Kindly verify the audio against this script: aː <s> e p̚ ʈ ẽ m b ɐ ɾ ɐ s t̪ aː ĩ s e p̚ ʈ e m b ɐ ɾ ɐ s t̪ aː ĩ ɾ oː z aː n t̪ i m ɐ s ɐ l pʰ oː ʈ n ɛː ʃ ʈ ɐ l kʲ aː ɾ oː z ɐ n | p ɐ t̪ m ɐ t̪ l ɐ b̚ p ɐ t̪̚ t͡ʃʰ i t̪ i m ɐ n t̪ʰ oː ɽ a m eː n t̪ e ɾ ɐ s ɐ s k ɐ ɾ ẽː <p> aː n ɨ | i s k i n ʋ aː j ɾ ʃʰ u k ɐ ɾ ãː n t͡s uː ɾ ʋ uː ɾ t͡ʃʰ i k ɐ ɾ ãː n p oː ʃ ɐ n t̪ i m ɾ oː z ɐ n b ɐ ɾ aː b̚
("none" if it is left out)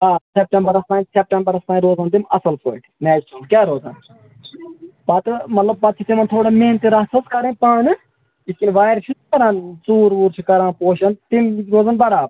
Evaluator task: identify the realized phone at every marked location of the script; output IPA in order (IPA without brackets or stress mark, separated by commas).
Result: s, p